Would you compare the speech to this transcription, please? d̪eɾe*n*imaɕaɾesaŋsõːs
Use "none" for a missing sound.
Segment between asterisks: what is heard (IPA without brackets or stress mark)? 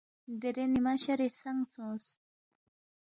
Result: n